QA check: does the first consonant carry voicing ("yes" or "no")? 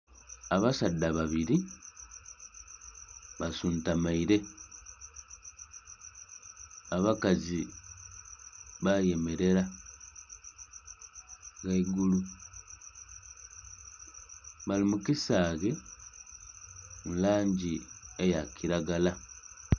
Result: yes